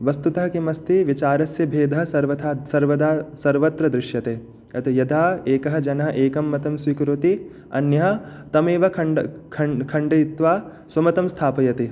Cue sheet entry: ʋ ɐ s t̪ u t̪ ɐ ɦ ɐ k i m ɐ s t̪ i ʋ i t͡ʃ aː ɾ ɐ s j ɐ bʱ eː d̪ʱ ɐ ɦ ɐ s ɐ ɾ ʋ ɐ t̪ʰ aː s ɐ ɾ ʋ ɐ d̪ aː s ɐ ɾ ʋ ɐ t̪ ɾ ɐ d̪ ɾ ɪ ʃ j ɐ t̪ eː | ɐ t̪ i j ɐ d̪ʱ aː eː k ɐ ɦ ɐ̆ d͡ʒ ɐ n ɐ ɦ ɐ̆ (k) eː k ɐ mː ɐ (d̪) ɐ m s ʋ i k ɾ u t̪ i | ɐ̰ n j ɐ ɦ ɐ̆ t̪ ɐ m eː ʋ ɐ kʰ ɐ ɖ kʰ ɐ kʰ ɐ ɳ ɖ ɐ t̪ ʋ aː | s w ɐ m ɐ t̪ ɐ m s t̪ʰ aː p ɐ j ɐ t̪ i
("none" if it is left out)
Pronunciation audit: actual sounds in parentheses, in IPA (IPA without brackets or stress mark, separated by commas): ʔ, t̪